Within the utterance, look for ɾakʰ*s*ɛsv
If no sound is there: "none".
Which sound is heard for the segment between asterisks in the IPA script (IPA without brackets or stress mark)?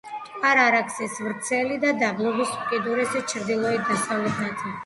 s